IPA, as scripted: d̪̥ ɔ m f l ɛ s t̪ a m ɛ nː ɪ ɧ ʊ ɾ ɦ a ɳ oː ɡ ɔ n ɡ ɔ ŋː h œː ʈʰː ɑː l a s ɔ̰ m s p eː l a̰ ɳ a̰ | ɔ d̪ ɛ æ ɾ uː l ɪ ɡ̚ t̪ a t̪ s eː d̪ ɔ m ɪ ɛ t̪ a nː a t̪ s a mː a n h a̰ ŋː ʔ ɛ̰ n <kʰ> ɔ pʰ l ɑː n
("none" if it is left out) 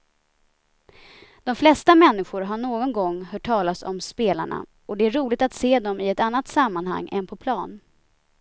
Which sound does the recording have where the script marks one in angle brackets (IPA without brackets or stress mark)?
pʰ